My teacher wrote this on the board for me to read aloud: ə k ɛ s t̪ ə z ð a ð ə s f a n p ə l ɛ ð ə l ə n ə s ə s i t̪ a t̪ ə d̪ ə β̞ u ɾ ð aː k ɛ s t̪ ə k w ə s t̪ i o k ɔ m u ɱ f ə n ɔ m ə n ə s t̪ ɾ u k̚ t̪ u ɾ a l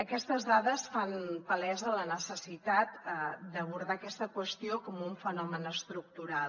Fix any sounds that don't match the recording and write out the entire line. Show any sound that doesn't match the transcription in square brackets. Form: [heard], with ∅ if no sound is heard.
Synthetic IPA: ə k ɛ s t̪ ə z ð a ð ə s f a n p ə l ɛ [z] ə l ə n ə s ə s i t̪ a t̪ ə d̪ ə β̞ u ɾ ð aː k ɛ s t̪ ə k w ə s t̪ i o k ɔ m u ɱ f ə n ɔ m ə n ə s t̪ ɾ u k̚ t̪ u ɾ a l